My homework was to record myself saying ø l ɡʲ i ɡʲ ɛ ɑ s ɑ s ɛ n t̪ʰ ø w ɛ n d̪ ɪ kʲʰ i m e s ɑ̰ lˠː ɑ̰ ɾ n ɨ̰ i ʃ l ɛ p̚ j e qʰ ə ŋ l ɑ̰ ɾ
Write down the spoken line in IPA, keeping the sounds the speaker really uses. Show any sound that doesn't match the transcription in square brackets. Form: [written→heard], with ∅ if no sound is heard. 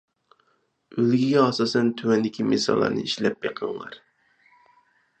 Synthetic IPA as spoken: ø l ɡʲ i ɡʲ ɛ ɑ s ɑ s ɛ n t̪ʰ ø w ɛ n d̪ ɪ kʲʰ i m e s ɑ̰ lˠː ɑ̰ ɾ n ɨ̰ i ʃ l ɛ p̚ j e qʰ ə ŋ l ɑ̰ ɾ

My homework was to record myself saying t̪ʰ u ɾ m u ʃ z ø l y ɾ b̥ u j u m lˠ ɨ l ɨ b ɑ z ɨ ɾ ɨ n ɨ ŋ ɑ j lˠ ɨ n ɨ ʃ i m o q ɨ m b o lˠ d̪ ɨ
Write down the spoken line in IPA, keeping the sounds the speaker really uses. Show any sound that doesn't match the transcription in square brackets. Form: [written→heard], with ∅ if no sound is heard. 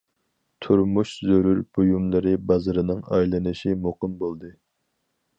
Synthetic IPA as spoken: t̪ʰ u ɾ m u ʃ z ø [l→ɾ] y ɾ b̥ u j u m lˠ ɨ [l→ɾ] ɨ b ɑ z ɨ ɾ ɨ n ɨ ŋ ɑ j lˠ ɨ n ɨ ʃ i m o q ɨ m b o lˠ d̪ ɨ

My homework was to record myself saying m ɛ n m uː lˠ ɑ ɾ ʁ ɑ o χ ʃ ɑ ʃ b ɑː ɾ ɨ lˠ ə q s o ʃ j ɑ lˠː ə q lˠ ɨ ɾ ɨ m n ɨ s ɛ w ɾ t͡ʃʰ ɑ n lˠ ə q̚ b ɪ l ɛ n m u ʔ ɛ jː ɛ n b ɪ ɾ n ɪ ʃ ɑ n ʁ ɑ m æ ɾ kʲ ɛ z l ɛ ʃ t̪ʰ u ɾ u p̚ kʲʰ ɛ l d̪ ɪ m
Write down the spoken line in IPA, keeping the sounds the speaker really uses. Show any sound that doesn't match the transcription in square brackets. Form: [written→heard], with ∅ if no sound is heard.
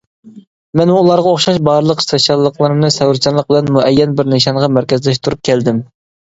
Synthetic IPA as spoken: m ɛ n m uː lˠ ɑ ɾ ʁ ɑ o χ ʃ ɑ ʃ b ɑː ɾ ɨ lˠ ə q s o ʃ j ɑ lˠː ə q lˠ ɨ ɾ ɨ m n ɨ s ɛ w ɾ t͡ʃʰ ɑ n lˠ ə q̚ b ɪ l ɛ n m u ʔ ɛ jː ɛ n b ɪ ɾ n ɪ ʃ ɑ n ʁ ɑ m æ ɾ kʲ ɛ z l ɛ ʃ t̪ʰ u ɾ u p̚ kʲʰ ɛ l d̪ ɪ m

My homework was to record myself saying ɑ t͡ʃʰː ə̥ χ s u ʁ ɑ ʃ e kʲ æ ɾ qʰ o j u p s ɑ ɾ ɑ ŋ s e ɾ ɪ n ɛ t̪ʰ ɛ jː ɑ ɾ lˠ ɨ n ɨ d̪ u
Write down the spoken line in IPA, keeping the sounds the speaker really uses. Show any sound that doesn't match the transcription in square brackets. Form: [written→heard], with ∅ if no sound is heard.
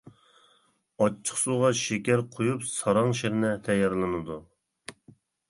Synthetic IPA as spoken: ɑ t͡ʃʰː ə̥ χ s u ʁ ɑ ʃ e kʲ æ ɾ qʰ o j u p s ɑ ɾ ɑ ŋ [s→ʃ] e ɾ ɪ n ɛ t̪ʰ ɛ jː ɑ ɾ lˠ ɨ n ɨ d̪ u

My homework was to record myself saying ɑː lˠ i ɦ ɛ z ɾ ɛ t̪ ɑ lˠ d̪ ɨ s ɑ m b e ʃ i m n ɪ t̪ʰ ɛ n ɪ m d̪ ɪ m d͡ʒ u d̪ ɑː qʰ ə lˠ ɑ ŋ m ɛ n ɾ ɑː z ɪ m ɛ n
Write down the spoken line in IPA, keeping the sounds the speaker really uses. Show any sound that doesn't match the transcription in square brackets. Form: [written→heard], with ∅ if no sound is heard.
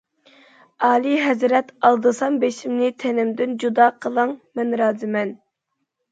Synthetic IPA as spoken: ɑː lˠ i ɦ ɛ z ɾ ɛ t̪ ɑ lˠ d̪ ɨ s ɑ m b e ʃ i m n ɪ t̪ʰ ɛ n ɪ m d̪ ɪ [m→n] d͡ʒ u d̪ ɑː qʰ ə lˠ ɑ ŋ m ɛ n ɾ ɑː z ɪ m ɛ n

